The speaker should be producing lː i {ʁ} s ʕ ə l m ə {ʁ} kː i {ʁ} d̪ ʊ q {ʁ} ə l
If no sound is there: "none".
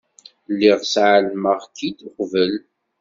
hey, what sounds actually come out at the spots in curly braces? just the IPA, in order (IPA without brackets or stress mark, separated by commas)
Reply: ʁ, ʁ, none, v